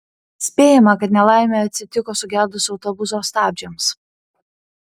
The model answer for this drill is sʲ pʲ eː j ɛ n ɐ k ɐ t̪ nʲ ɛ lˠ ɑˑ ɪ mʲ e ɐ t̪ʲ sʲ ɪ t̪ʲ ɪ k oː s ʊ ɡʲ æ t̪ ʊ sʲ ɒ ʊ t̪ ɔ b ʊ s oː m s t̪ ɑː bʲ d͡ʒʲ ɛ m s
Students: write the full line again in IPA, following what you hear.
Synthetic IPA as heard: sʲ pʲ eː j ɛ m ɐ k ɐ t̪ nʲ ɛ lˠ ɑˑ ɪ mʲ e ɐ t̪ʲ sʲ ɪ t̪ʲ ɪ k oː s ʊ ɡʲ æ d̪ ʊ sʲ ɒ ʊ t̪ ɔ b ʊ s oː s t̪ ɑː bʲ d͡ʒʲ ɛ m s